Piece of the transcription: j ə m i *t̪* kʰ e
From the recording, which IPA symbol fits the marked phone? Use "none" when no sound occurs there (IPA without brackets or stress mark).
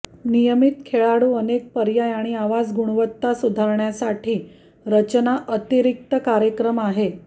t̪